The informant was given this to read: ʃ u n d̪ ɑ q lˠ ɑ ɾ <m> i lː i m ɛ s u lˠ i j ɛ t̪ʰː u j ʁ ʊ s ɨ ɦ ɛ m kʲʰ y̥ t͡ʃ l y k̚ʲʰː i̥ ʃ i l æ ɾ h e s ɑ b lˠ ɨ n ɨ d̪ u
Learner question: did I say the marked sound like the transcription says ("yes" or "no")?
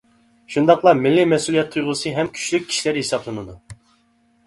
yes